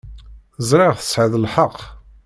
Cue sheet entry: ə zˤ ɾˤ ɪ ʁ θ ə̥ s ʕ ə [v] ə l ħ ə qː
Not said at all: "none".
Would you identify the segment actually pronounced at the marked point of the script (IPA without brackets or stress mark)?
ð